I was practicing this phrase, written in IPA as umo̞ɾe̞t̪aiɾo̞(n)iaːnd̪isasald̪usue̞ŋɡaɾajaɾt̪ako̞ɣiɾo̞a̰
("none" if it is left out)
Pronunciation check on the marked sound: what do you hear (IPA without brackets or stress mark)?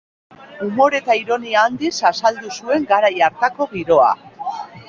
n